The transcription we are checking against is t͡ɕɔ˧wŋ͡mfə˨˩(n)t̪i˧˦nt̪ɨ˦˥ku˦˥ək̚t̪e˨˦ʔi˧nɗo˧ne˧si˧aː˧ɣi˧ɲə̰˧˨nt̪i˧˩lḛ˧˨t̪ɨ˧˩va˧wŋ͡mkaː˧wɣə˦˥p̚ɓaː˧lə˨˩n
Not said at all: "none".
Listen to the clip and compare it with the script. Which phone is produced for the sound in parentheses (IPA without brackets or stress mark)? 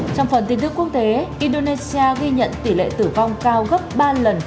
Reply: n